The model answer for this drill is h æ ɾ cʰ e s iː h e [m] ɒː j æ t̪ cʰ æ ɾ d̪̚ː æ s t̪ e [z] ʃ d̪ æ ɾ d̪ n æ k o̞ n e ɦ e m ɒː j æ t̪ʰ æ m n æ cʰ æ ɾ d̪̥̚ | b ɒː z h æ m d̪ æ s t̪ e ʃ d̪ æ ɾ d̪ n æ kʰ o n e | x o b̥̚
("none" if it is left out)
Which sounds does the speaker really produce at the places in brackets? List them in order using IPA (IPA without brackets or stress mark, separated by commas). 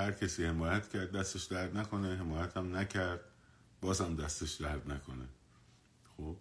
m, none